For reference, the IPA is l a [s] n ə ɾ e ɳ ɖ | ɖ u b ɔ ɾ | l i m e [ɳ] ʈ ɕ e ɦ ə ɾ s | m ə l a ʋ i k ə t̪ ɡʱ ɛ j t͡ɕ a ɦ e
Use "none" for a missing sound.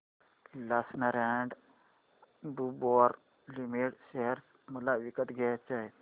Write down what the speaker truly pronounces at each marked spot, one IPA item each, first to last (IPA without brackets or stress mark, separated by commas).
s, none